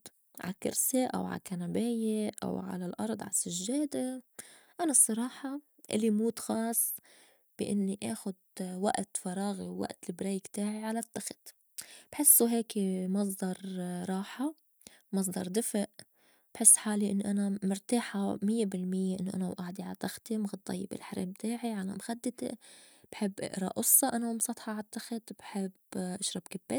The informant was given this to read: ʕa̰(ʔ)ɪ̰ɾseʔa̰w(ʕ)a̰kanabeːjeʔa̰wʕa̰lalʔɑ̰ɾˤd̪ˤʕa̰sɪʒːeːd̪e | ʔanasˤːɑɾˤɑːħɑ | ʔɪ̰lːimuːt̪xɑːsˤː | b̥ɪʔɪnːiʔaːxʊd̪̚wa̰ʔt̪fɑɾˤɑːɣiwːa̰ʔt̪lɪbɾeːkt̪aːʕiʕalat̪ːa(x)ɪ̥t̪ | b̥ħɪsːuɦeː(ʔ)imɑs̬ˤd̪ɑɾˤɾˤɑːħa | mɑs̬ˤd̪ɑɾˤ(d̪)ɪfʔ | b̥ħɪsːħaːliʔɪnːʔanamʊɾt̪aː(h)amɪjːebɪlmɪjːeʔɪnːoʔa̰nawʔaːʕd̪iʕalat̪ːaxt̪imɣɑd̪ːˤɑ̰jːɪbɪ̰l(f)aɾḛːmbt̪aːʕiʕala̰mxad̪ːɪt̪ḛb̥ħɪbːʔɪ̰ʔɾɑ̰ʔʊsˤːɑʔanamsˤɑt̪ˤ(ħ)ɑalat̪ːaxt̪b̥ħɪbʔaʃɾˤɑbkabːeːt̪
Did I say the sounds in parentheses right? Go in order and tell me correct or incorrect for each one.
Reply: incorrect, correct, correct, incorrect, correct, incorrect, incorrect, correct

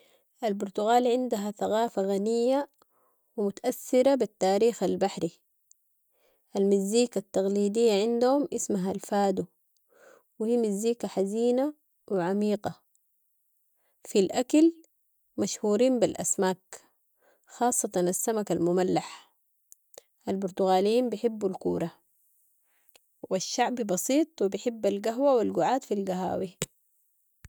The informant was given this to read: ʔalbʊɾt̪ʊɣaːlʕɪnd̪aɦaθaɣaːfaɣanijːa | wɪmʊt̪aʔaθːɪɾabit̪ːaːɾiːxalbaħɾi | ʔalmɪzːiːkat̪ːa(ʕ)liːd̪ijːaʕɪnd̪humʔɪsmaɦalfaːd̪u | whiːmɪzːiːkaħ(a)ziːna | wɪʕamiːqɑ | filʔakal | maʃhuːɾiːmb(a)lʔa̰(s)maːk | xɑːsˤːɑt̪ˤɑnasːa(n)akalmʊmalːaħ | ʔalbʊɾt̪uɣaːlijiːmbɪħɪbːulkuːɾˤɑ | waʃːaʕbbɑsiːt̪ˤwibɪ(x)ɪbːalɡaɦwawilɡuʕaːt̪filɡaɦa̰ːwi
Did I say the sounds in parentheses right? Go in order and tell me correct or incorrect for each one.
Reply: incorrect, correct, incorrect, correct, incorrect, incorrect

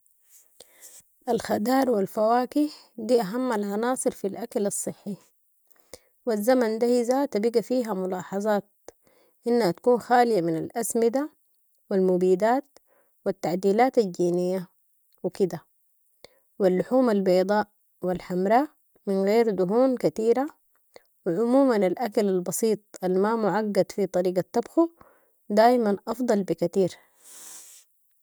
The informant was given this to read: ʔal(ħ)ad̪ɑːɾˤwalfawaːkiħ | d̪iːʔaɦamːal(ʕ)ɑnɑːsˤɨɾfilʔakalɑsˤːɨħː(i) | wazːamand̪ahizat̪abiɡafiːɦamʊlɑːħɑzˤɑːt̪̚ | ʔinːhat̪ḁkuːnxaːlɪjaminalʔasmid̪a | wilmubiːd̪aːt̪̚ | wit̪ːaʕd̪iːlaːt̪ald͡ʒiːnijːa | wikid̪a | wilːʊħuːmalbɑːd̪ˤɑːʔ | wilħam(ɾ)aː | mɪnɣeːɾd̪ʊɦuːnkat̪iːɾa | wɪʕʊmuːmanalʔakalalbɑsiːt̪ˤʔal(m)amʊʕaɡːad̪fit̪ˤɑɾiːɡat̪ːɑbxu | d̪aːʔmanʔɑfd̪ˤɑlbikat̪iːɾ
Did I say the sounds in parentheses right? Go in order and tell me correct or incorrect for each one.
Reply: incorrect, correct, correct, correct, correct

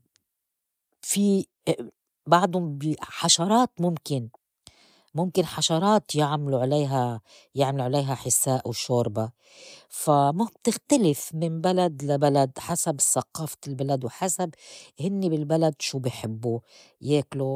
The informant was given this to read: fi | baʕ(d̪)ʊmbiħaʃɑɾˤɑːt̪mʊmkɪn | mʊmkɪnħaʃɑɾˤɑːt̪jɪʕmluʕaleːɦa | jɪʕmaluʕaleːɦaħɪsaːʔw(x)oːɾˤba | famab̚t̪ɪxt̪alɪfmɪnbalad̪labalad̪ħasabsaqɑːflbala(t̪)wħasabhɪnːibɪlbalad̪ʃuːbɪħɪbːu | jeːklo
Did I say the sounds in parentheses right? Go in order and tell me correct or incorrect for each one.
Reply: correct, incorrect, incorrect

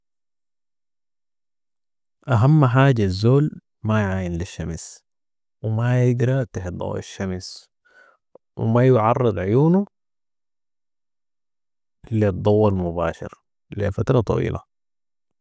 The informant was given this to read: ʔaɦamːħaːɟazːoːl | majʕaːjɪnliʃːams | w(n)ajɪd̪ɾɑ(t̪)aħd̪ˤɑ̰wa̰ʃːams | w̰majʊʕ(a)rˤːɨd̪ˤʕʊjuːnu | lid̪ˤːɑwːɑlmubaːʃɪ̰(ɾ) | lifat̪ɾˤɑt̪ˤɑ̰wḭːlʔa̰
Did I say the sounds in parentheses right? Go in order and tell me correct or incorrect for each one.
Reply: incorrect, correct, incorrect, correct

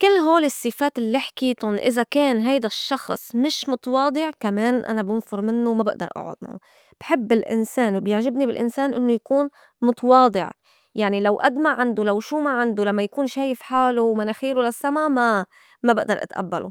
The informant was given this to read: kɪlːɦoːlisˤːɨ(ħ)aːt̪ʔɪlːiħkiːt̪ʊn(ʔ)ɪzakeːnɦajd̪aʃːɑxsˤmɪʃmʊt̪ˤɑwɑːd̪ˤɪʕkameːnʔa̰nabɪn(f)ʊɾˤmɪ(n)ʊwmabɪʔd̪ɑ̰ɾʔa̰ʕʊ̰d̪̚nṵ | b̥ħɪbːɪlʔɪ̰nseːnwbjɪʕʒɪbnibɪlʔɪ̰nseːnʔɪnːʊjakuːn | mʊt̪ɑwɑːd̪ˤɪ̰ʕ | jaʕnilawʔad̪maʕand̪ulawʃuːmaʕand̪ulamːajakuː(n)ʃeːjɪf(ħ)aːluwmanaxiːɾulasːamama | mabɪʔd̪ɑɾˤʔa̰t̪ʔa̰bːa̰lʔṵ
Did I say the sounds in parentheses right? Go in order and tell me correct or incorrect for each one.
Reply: incorrect, correct, correct, incorrect, correct, correct

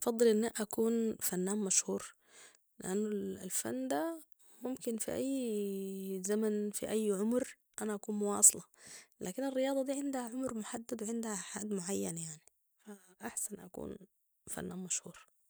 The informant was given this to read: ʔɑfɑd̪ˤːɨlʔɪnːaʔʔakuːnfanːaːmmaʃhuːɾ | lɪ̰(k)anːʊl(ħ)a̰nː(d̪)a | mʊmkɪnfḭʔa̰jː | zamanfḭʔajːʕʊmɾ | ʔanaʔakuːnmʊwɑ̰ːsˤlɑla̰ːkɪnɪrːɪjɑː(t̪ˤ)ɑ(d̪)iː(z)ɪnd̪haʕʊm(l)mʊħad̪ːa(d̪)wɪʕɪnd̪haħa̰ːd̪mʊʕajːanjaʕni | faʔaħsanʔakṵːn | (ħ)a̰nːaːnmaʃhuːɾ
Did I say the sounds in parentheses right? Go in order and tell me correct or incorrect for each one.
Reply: incorrect, incorrect, correct, incorrect, correct, incorrect, incorrect, correct, incorrect

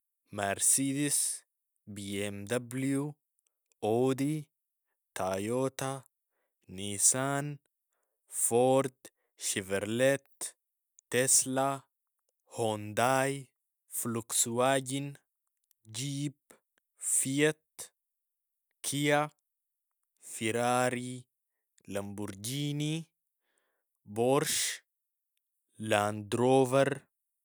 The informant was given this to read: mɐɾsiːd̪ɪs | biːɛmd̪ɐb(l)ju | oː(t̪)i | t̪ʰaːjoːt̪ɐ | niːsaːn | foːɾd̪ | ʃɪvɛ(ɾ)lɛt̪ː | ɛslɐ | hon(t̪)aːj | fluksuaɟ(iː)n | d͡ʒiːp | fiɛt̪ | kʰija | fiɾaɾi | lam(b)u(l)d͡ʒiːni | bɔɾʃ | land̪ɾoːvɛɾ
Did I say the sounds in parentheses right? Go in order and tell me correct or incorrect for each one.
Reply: correct, incorrect, correct, incorrect, incorrect, correct, incorrect

